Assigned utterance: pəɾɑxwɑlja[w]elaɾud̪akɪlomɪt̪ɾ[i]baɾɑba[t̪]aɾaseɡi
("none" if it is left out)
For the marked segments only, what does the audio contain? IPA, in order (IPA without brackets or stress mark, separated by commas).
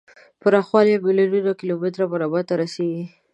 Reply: b, a, t̪